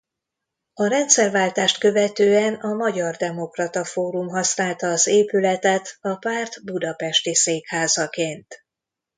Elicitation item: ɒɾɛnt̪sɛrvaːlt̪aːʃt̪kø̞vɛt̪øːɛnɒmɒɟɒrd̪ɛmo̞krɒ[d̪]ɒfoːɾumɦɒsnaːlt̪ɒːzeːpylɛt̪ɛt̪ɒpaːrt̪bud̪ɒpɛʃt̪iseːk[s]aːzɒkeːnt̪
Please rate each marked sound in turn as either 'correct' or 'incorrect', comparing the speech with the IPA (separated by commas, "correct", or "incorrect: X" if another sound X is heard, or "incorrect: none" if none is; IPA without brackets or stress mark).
incorrect: t̪, incorrect: h